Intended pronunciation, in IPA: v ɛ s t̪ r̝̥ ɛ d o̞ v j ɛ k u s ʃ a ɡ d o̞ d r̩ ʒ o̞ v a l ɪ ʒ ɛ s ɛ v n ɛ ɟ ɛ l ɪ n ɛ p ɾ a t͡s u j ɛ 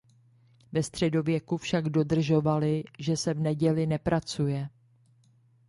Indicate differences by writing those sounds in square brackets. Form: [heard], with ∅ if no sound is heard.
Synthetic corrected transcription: v ɛ s t̪ r̝̥ ɛ d o̞ v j ɛ k u [f] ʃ a ɡ d o̞ d r̩ ʒ o̞ v a l ɪ ʒ ɛ s ɛ v n ɛ ɟ ɛ l ɪ n ɛ p ɾ a t͡s u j ɛ